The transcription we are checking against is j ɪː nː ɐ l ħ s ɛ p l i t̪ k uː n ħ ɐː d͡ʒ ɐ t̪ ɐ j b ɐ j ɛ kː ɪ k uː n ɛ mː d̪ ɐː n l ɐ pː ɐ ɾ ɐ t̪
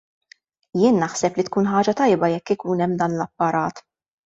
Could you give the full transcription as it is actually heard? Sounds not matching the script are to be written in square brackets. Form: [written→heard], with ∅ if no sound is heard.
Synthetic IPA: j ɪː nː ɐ [l→∅] ħ s ɛ p l i t̪ k uː n ħ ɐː d͡ʒ ɐ t̪ ɐ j b ɐ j ɛ kː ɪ k uː n ɛ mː d̪ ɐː n l ɐ pː ɐ ɾ [ɐ→ɐː] t̪